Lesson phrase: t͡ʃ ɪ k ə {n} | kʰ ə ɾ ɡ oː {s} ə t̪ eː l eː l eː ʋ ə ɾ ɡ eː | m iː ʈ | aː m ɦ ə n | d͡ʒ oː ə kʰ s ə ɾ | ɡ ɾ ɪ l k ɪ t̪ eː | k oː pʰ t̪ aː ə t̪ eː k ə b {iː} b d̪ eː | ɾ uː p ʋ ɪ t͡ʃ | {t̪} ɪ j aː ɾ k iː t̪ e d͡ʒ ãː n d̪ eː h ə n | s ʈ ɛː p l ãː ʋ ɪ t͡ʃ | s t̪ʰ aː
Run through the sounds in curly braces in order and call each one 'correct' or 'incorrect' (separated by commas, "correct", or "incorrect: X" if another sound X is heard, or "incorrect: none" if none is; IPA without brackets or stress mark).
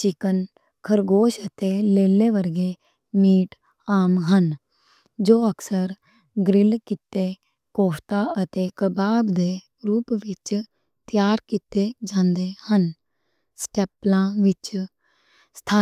correct, incorrect: ʃ, incorrect: aː, correct